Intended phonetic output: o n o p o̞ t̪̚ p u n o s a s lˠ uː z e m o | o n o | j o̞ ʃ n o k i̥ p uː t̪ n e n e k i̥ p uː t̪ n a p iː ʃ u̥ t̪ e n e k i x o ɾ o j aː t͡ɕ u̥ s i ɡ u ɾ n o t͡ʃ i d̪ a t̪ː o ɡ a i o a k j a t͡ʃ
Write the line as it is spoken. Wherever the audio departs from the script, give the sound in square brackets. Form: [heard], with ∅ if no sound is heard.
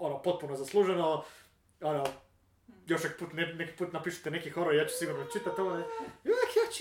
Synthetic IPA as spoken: o n o p o̞ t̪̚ p u n o [z] a s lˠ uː [ʒ] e [n] o | o n o | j o̞ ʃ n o k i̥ p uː t̪ n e n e k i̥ p uː t̪ n a p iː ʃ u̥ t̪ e n e k i x o ɾ o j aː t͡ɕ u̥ s i ɡ u ɾ n o t͡ʃ i [t̪] a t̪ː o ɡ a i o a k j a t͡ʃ